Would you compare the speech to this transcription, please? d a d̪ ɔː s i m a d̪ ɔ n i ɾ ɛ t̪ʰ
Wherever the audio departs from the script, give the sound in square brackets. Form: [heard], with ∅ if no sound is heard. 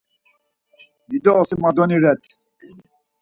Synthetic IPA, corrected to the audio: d [i] d̪ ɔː s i m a d̪ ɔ n i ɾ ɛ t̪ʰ